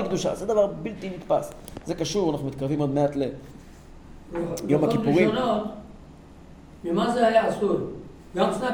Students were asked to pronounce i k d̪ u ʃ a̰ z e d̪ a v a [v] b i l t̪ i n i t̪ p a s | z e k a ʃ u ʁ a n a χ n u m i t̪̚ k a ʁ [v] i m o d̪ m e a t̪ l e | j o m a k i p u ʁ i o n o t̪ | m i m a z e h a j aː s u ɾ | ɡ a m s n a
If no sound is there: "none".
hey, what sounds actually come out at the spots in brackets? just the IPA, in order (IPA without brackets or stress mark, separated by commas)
ʁ, v